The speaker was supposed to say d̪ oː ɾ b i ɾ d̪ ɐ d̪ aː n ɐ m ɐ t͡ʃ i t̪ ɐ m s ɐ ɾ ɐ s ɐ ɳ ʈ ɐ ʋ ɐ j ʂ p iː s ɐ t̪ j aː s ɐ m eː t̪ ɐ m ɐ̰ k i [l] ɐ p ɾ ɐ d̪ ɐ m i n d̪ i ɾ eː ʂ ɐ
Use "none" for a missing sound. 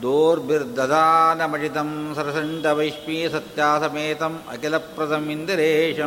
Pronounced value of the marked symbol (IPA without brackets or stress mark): l